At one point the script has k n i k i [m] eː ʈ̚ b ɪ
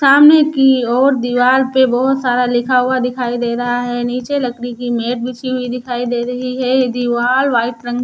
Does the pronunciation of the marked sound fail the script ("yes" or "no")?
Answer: no